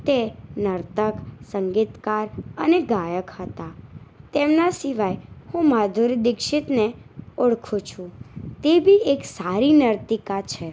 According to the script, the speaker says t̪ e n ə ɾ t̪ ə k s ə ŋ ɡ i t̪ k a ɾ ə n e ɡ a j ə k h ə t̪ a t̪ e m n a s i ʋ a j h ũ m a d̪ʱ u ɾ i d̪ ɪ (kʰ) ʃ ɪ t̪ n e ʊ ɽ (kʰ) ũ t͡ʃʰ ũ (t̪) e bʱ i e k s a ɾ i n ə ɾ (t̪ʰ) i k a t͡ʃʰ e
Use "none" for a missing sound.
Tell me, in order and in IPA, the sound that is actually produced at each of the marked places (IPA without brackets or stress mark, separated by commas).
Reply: k, kʰ, t̪, t̪